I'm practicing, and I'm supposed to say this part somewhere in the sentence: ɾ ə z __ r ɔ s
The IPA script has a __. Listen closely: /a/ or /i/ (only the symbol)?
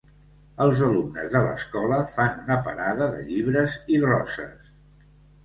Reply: i